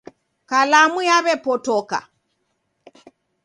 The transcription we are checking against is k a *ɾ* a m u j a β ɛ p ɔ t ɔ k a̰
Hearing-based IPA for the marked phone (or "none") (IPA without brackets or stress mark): l